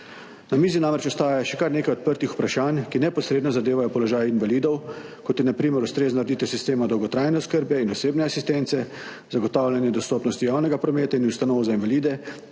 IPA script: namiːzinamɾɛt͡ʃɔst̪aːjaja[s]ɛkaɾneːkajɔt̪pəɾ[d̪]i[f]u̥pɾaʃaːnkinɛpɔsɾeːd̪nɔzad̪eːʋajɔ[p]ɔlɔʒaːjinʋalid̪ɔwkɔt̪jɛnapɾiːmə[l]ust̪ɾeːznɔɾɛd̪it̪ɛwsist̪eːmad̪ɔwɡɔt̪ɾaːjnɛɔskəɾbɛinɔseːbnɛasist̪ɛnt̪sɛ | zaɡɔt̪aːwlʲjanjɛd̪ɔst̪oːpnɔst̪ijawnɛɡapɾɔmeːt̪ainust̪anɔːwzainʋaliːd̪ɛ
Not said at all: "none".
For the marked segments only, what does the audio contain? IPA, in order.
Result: ʃ, t̪, x, p, ɾ

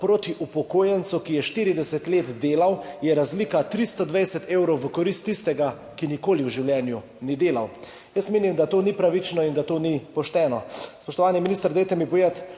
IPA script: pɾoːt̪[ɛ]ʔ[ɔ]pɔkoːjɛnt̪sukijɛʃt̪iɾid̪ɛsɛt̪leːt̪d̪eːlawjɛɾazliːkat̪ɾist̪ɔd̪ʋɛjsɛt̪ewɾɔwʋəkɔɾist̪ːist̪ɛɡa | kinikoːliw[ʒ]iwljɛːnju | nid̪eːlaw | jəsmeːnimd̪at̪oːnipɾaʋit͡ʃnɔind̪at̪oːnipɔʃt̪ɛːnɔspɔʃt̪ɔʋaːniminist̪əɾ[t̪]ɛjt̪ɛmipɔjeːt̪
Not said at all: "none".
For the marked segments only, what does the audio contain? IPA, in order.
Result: i, u, ʒ, d̪

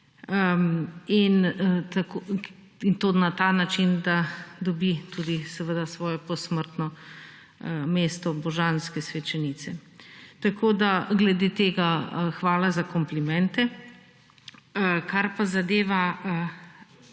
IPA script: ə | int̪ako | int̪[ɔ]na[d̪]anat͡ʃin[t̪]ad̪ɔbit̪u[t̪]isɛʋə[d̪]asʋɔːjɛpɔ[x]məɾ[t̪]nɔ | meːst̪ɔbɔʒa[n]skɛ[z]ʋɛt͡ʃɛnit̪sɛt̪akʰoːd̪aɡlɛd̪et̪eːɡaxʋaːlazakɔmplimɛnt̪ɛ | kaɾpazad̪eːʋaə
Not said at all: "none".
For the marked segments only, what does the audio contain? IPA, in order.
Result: o, t̪, d̪, d̪, d̪, s, t̪, n, s

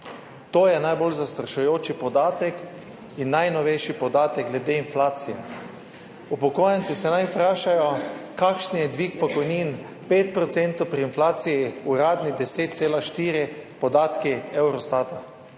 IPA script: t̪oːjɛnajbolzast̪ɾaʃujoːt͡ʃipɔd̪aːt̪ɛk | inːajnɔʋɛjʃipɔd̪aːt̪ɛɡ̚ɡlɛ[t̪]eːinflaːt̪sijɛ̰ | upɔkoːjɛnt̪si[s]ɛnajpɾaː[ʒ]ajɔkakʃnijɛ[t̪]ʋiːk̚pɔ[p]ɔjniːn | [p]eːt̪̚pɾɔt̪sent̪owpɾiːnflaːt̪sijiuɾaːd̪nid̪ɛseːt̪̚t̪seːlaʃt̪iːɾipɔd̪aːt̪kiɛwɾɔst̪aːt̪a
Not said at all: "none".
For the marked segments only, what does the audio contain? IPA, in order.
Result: d̪, s, ʃ, d̪, k, p

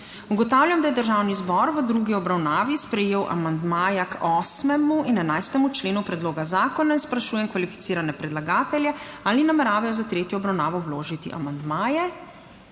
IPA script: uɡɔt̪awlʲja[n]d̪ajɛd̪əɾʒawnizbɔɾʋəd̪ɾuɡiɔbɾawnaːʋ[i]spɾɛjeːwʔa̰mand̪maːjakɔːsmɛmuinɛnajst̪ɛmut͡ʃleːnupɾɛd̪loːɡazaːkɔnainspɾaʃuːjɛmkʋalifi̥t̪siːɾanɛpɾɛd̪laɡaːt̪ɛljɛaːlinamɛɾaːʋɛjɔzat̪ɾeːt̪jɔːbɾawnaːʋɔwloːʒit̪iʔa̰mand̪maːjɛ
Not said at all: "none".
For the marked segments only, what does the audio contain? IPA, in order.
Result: m, i

